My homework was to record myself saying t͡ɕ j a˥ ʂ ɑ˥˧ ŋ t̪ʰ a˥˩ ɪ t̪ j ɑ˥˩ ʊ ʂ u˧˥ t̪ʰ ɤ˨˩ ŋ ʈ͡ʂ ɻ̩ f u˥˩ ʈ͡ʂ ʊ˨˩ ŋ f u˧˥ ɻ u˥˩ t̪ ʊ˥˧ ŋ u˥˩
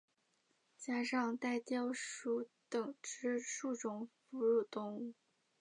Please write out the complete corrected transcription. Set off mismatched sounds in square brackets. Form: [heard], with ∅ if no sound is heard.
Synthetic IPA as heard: t͡ɕ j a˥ ʂ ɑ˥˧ ŋ [t̪] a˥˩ ɪ t̪ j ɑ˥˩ ʊ ʂ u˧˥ [t̪] ɤ˨˩ ŋ ʈ͡ʂ ɻ̩ [ʂ] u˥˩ ʈ͡ʂ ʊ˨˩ ŋ f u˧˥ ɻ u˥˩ t̪ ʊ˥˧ ŋ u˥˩